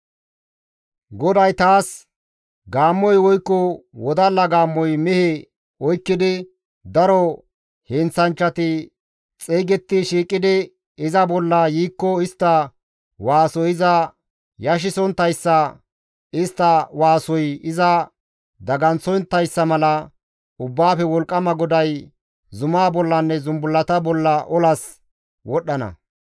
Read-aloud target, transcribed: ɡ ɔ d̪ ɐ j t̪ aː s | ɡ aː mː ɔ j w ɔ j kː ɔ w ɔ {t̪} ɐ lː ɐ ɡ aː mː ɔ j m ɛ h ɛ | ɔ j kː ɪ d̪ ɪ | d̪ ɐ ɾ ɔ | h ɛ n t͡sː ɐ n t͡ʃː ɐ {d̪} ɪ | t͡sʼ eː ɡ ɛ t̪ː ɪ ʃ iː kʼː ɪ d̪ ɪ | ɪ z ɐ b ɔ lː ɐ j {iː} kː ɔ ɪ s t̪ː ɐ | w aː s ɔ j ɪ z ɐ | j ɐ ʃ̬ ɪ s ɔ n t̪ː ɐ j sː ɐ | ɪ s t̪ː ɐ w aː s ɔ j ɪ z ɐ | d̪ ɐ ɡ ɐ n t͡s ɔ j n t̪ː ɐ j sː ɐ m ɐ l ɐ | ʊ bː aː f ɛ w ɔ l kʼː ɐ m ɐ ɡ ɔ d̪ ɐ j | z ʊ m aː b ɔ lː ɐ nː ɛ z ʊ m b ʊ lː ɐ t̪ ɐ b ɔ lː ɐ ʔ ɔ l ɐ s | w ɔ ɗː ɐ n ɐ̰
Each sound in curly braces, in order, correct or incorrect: incorrect: d̪, incorrect: t̪, correct

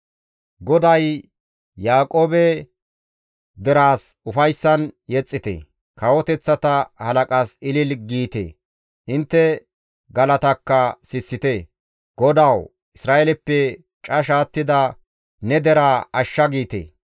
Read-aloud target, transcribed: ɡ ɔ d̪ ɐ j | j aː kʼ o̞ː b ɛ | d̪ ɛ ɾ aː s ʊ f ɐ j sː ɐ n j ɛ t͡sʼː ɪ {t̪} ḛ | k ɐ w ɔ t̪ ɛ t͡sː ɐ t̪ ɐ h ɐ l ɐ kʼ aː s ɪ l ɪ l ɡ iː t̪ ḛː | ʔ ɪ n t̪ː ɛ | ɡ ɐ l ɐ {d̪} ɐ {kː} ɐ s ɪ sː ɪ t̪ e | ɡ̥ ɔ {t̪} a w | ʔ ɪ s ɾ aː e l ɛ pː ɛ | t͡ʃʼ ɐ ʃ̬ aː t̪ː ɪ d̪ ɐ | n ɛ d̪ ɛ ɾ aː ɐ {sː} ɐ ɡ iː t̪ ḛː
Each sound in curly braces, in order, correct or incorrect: correct, incorrect: t̪, correct, incorrect: d̪, incorrect: ʃː

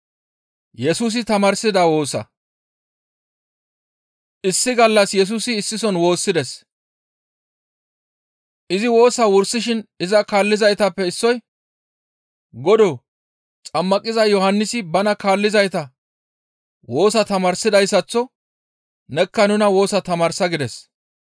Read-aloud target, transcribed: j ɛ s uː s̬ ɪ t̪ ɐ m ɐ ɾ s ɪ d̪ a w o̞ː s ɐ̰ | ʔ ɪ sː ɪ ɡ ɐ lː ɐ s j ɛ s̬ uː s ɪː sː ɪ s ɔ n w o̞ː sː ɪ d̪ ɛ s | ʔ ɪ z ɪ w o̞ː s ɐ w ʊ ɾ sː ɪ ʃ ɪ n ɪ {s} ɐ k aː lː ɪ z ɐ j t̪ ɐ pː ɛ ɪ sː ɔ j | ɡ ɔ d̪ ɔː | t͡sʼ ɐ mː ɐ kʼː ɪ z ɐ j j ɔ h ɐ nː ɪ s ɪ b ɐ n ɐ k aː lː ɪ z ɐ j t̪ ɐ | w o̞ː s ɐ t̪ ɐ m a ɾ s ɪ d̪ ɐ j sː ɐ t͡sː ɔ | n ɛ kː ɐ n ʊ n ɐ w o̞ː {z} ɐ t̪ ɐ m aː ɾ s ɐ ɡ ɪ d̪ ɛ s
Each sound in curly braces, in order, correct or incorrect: incorrect: z, incorrect: s

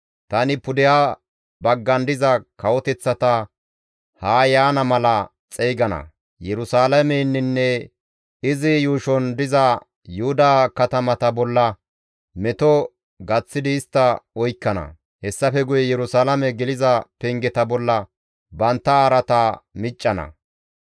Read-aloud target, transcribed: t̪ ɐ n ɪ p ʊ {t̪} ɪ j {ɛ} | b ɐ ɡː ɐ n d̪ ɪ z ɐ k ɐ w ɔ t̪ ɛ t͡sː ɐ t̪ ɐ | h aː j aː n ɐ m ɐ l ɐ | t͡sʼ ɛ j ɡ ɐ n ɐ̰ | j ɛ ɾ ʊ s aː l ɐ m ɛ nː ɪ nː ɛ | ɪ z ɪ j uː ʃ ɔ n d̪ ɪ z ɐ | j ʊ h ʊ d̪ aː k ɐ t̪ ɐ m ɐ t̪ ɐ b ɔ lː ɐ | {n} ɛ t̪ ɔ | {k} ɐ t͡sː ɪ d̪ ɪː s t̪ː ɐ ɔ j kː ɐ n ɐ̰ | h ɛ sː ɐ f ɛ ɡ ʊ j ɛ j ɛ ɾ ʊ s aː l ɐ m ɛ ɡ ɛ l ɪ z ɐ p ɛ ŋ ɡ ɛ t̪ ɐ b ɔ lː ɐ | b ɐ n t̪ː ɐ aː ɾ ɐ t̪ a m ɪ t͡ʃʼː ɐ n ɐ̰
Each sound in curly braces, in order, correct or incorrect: incorrect: d̪, incorrect: a, incorrect: m, incorrect: ɡ

